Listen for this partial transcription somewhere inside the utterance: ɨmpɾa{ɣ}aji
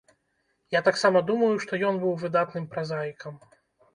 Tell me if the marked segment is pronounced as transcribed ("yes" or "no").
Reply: no